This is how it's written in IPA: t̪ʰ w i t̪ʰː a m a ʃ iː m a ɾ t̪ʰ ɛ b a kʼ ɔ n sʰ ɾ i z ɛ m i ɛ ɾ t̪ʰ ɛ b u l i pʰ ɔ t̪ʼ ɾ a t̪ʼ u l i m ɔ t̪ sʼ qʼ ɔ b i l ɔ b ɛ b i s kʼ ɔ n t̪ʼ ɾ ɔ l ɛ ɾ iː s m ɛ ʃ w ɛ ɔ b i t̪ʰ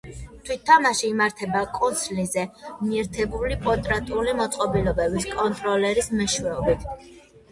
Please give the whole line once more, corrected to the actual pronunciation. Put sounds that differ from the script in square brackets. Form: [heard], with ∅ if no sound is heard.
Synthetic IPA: t̪ʰ w i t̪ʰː a m a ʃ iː m a ɾ t̪ʰ ɛ b a kʼ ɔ n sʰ [l] i z ɛ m i ɛ ɾ t̪ʰ ɛ b u l i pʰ ɔ t̪ʼ ɾ a t̪ʼ u l i m ɔ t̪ sʼ qʼ ɔ b i l ɔ b ɛ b i s kʼ ɔ n t̪ʼ ɾ ɔ l ɛ ɾ [i] s m ɛ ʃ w ɛ ɔ b i t̪ʰ